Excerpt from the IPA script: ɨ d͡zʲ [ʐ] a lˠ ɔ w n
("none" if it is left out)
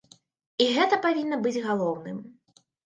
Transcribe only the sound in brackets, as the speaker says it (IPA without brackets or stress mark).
ɣ